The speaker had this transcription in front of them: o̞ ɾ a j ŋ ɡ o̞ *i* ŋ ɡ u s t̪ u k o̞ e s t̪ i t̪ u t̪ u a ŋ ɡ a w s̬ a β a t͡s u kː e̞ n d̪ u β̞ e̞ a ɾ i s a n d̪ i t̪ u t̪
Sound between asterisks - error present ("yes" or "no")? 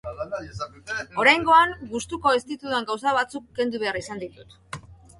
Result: yes